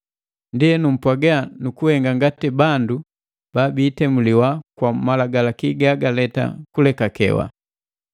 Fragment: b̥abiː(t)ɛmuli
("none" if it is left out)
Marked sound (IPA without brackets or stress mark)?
t